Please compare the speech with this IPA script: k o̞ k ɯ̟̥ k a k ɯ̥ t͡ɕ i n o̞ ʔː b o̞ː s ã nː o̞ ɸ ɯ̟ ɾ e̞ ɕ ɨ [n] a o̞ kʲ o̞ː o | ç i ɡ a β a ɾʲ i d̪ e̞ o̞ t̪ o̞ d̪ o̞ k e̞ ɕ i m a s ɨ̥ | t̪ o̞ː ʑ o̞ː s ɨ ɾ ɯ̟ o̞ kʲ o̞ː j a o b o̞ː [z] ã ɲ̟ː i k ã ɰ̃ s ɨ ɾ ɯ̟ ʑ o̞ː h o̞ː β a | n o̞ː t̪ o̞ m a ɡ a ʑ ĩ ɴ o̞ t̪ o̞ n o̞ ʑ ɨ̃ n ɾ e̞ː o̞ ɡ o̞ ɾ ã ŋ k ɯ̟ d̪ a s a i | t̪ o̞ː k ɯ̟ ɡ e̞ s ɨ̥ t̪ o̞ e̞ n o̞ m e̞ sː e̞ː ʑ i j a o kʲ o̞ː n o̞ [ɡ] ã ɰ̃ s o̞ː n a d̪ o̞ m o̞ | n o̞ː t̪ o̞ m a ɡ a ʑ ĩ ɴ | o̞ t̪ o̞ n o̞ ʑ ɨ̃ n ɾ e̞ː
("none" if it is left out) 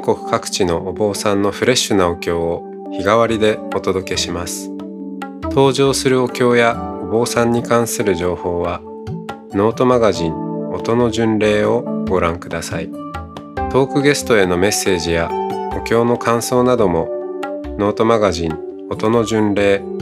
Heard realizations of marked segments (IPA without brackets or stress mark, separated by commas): n, s, k